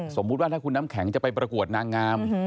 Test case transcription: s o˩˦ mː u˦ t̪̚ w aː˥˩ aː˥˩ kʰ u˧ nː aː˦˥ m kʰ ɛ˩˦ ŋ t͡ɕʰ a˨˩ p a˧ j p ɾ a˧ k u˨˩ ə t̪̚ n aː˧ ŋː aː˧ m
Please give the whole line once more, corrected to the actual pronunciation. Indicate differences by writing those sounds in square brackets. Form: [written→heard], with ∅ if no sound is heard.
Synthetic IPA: s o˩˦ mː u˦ t̪̚ w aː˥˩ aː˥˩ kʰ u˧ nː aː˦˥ m kʰ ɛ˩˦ ŋ [t͡ɕʰ→t͡ɕ] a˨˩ p a˧ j p ɾ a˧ k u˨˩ ə t̪̚ n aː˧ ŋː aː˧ m